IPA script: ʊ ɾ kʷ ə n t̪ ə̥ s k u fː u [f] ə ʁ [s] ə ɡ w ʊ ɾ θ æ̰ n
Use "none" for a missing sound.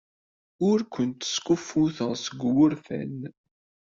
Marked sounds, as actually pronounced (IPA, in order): θ, s

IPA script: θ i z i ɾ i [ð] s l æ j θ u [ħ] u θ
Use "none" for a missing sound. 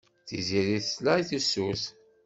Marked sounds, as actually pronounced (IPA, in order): θ, s

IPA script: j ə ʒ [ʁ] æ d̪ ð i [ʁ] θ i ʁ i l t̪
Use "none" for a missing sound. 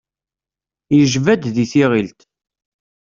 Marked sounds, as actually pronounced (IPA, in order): v, none

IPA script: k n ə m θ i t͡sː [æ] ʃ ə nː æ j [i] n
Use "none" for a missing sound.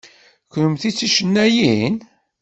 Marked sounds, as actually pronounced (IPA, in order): i, i

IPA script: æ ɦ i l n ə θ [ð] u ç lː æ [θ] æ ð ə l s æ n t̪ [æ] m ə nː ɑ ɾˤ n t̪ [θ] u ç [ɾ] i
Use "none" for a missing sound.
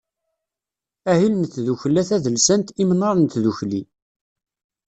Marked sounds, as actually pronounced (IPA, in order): ð, θ, i, ð, l

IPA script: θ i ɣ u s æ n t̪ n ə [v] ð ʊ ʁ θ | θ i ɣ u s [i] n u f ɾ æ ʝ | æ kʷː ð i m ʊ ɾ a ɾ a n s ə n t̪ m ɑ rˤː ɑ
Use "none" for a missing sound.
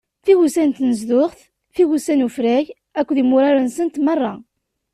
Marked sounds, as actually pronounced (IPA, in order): z, æ

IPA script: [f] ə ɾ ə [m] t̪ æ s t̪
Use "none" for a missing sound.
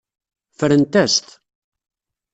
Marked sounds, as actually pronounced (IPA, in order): f, n

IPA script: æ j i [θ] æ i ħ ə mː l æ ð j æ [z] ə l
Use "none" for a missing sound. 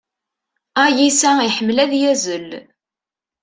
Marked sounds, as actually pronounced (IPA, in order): s, z

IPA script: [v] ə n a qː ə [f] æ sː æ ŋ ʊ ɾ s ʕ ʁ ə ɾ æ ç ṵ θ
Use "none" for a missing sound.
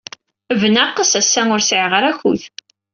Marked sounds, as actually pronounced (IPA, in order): v, s

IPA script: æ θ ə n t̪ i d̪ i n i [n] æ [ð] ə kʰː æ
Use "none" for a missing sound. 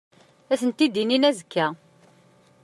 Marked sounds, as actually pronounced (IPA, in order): n, z

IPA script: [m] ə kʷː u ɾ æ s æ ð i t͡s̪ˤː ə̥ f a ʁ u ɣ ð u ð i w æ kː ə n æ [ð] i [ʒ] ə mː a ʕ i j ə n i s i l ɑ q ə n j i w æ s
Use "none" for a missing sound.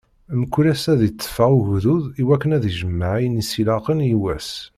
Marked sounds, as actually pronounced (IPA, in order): m, ð, ʒ

